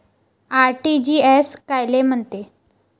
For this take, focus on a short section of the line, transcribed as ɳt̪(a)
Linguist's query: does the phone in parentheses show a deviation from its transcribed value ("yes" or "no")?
yes